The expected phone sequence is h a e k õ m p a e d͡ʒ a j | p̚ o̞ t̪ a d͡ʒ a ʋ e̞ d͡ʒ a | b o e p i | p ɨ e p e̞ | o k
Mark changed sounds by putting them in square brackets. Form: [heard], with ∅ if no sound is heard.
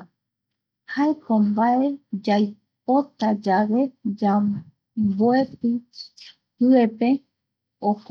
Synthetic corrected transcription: h a e k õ m [b] a e d͡ʒ a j | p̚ o̞ t̪ a d͡ʒ a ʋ e̞ d͡ʒ a | b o e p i | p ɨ e p e̞ | o k

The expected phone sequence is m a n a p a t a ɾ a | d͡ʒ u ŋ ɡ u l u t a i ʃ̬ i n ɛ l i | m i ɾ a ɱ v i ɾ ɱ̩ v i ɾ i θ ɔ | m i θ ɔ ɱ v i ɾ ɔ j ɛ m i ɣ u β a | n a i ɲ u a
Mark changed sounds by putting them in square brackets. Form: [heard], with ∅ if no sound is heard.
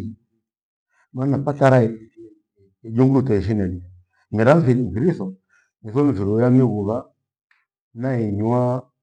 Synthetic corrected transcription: m a n a p a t a ɾ a | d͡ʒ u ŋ ɡ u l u t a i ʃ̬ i n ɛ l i | m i ɾ a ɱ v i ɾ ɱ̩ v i ɾ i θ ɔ | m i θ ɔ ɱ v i ɾ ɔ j [a] m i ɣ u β a | n a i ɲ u a

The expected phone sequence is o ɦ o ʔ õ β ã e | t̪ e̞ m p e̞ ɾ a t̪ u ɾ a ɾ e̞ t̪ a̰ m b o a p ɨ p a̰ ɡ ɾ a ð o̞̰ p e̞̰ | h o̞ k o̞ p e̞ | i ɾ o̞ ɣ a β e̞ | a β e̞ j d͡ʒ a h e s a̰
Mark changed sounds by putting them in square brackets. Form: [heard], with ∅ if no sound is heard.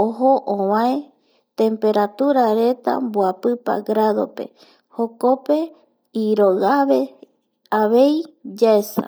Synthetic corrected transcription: o ɦ o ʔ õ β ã e | t̪ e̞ m p e̞ ɾ a t̪ u ɾ a ɾ e̞ t̪ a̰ m b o a p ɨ p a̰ ɡ ɾ a ð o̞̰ p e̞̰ | h o̞ k o̞ p e̞ | i ɾ o̞ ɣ a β e̞ | a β e̞ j d͡ʒ a [∅] e s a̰

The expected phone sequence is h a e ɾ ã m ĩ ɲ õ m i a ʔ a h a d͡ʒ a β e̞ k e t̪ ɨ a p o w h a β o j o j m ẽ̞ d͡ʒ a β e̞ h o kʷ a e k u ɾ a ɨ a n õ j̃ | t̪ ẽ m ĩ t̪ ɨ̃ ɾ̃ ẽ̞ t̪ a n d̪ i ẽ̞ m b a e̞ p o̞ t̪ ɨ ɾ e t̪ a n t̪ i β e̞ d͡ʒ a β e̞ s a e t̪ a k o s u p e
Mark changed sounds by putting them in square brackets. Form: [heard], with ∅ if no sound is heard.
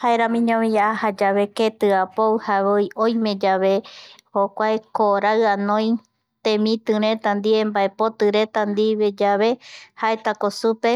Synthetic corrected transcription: h a e ɾ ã m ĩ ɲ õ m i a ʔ a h a d͡ʒ a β e̞ k e t̪ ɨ a p o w h a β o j o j m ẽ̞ d͡ʒ a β e̞ h o kʷ a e k [o] ɾ a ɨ a n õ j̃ | t̪ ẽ m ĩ t̪ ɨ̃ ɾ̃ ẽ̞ t̪ a n d̪ i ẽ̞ m b a e̞ p o̞ t̪ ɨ ɾ e t̪ a n [d̪] i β e̞ d͡ʒ a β e̞ [h] a e t̪ a k o s u p e

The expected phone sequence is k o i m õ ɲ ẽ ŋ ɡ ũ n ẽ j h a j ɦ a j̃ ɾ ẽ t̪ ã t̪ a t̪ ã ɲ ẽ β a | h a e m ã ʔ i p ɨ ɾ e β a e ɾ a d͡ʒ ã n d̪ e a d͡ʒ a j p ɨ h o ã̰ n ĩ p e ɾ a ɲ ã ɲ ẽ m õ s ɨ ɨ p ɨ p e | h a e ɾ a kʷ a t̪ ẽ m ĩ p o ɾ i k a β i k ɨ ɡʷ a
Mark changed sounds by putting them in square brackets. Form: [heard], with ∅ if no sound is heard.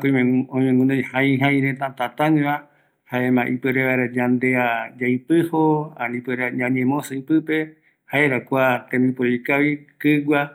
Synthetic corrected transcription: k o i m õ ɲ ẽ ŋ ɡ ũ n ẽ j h a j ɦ a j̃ ɾ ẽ t̪ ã t̪ a t̪ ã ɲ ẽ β a | h a e m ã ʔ i p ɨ ɾ e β a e ɾ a d͡ʒ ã n d̪ e a d͡ʒ a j p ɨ h o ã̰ n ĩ p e ɾ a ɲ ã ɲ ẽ m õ s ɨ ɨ p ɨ p e | h a e ɾ a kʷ a t̪ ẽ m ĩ p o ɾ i k a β i k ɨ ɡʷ a

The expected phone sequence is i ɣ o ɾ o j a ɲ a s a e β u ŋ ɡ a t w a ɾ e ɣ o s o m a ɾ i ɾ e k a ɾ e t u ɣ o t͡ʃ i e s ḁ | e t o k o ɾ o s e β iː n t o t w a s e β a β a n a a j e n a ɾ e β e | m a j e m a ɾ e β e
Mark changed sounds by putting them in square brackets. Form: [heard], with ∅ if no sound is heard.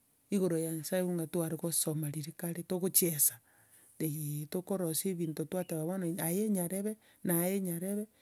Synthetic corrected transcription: i ɣ o ɾ o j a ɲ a s a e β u ŋ ɡ a t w a ɾ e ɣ o s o m a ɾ i ɾ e k a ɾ e t [o] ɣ o t͡ʃ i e s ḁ | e t o k o ɾ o s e β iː n t o t w a [t] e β a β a n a a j e [ɲ] a ɾ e β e | [n] a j e [ɲ] a ɾ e β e

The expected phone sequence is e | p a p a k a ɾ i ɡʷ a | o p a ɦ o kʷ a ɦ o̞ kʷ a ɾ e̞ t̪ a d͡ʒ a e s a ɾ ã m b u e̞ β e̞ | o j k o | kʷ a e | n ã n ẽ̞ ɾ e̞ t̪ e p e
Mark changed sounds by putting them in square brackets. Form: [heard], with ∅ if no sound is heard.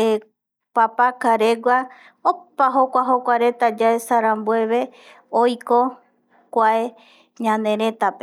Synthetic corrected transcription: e | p a p a k a ɾ [e] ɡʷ a | o p a ɦ o kʷ a ɦ o̞ kʷ a ɾ e̞ t̪ a d͡ʒ a e s a ɾ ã m b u e̞ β e̞ | o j k o | kʷ a e | [ɲ] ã n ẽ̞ ɾ e̞ t̪ [a] p e

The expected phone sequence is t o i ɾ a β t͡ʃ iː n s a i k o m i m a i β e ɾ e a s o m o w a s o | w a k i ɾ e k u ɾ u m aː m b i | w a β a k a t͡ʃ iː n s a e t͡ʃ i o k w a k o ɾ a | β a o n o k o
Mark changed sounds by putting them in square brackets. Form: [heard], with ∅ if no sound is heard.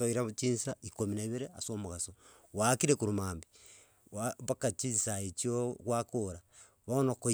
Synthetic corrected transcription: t o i ɾ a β t͡ʃ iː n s a i k o m i [n] a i β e ɾ e a s o m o [ɣ] a s o | w a k i ɾ e k u ɾ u m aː m b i | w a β a k a t͡ʃ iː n s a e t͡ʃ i o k w a k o ɾ a | β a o n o k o

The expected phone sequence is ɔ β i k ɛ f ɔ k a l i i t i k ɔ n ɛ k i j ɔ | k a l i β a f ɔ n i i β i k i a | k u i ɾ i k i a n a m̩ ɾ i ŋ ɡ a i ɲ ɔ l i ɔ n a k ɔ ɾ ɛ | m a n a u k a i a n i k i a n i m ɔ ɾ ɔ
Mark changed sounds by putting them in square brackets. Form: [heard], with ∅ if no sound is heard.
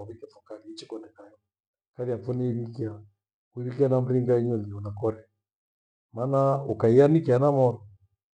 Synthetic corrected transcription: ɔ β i k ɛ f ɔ k a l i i [t͡ʃ] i k ɔ n ɛ k [a] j ɔ | k a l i [∅] a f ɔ n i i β i k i a | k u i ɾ i k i a n a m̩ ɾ i ŋ ɡ a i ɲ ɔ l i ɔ n a k ɔ ɾ ɛ | m a n a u k a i a n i k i a n [a] m ɔ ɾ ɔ

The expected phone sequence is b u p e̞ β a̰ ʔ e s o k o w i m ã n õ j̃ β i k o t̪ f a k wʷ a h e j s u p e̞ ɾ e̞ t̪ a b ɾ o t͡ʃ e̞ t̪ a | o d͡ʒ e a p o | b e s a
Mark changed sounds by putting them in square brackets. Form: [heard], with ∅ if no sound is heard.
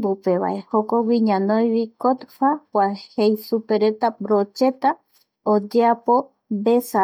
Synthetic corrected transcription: b u p e̞ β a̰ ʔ e [h] o k o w i [ɲ] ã n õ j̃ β i k o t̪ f a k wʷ a h e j s u p e̞ ɾ e̞ t̪ a b ɾ o t͡ʃ e̞ t̪ a | o d͡ʒ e a p o | b e s a

